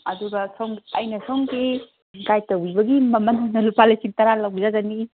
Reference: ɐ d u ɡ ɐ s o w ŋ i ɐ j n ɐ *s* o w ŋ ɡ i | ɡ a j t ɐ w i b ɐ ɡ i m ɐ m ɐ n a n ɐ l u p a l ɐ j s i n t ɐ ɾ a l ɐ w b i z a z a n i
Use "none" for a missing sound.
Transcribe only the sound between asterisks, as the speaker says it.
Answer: s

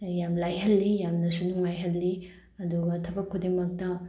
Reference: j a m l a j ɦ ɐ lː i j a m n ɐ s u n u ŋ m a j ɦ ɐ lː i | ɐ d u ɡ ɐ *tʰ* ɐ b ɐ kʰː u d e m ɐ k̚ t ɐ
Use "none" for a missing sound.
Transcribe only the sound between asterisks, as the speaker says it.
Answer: tʰ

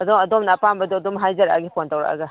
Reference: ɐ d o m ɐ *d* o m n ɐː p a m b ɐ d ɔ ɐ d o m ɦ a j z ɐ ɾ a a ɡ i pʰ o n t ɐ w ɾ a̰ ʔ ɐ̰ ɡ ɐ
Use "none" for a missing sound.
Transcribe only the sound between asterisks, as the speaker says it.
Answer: d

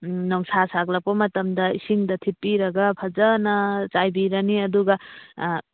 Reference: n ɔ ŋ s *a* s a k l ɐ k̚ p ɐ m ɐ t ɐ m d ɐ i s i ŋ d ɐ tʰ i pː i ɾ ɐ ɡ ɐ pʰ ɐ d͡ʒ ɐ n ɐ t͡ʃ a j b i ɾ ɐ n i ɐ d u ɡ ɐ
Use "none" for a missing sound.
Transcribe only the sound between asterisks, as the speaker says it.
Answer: a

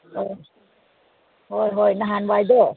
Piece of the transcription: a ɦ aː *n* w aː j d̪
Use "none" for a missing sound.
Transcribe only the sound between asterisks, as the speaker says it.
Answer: n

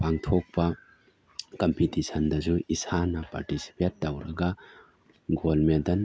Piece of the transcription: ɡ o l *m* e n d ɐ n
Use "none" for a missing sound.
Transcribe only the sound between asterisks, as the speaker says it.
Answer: m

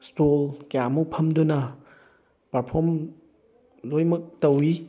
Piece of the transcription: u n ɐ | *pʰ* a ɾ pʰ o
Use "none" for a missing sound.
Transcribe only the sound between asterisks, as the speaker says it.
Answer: p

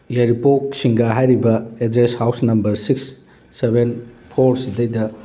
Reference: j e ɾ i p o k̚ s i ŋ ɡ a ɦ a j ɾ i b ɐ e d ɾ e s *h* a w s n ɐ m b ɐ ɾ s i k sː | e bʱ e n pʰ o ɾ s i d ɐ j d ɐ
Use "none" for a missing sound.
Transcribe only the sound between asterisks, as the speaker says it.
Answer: h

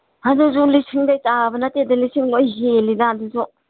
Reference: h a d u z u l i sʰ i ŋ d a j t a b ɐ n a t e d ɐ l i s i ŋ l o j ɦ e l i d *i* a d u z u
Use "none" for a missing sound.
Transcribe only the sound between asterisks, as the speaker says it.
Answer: a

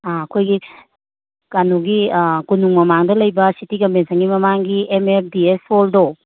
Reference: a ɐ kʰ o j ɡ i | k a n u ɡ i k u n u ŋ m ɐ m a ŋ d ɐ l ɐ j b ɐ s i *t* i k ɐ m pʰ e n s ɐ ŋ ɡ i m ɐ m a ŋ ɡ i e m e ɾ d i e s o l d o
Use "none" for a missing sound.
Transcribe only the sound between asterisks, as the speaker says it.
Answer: t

